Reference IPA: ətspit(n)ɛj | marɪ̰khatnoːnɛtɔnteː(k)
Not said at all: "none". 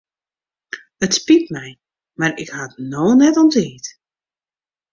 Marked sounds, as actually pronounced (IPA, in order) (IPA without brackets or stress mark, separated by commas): m, t